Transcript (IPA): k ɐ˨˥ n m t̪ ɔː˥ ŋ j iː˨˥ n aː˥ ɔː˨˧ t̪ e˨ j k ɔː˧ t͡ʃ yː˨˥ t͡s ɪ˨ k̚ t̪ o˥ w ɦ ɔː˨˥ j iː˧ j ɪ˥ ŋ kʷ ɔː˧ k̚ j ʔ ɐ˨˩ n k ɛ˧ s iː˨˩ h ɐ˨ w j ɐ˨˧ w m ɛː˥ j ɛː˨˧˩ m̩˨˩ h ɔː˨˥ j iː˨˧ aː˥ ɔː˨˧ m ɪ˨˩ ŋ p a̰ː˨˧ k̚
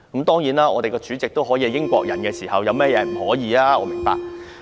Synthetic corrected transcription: k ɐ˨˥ m t̪ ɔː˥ ŋ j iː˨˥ n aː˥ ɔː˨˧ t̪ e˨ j k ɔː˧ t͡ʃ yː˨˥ t͡s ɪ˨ k̚ t̪ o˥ w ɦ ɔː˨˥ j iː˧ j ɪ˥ ŋ kʷ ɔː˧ k̚ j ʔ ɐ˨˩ n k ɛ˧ s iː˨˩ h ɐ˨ w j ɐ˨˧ w m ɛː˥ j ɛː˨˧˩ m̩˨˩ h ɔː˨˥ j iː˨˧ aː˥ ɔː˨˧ m ɪ˨˩ ŋ p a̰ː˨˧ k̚

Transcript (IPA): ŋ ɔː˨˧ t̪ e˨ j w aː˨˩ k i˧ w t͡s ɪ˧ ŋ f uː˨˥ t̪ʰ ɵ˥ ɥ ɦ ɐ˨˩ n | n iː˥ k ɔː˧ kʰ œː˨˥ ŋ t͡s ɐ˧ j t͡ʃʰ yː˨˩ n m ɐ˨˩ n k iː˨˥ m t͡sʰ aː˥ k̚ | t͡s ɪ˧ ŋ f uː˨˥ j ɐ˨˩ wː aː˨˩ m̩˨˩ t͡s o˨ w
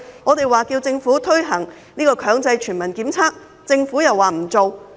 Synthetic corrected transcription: ŋ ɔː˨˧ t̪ e˨ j w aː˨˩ k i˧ w t͡s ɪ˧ ŋ f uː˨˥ t̪ʰ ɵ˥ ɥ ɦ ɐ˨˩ ŋ | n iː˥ k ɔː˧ kʰ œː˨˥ ŋ t͡s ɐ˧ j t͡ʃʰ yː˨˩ n m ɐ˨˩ n k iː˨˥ m t͡sʰ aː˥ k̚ | t͡s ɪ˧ ŋ f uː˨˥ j ɐ˨˩ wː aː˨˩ m̩˨˩ t͡s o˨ w

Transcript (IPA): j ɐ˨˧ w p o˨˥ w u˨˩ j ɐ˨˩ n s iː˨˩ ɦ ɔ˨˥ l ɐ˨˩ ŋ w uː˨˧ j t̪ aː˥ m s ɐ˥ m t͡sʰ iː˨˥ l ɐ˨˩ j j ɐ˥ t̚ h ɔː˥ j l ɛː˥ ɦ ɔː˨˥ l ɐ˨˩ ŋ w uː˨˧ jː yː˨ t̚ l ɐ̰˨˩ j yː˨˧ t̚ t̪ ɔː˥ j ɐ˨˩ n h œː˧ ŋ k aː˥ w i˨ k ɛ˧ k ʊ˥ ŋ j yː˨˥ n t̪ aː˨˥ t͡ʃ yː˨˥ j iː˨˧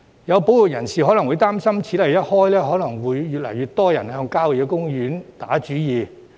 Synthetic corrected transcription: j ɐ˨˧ w p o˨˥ w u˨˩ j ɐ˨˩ n s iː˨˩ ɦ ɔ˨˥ l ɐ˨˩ ŋ w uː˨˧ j t̪ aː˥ m s ɐ˥ m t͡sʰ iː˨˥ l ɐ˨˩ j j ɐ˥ t̚ h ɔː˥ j l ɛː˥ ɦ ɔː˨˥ l ɐ˨˩ ŋ w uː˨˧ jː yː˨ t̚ l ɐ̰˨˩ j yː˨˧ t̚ t̪ ɔː˥ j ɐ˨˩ n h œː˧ ŋ k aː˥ w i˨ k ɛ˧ k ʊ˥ ŋ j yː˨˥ n t̪ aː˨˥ t͡ʃ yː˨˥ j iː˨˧

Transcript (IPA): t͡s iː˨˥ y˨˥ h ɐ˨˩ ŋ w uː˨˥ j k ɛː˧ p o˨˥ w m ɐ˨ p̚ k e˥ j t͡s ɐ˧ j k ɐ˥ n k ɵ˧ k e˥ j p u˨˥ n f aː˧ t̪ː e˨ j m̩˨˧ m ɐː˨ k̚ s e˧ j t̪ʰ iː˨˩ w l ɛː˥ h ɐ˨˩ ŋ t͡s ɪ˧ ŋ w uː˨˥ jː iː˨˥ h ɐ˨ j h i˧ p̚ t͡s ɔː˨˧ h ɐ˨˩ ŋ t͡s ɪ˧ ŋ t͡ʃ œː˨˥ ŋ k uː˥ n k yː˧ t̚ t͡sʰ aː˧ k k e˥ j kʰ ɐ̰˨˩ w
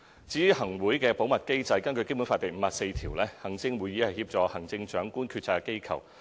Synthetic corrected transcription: t͡s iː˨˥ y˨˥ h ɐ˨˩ ŋ w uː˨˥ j k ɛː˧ p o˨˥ w m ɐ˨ t̚ k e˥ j t͡s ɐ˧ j k ɐ˥ n k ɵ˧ k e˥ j p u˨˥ n f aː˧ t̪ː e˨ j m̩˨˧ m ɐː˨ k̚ s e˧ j t̪ʰ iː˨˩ w l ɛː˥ h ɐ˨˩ ŋ t͡s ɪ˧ ŋ w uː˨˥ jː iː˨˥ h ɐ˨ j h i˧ p̚ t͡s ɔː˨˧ h ɐ˨˩ ŋ t͡s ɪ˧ ŋ t͡ʃ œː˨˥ ŋ k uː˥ n kʰ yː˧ t̚ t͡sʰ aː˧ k k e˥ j kʰ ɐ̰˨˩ w

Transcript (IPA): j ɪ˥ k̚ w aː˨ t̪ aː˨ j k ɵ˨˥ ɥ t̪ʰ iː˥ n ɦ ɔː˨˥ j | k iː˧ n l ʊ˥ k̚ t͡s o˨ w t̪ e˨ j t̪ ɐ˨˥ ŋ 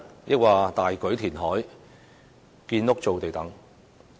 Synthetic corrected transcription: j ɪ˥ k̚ w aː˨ t̪ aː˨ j k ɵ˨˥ ɥ t̪ʰ iː˨˩ n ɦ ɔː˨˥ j | k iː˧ n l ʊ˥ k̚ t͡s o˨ w t̪ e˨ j t̪ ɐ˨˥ ŋ

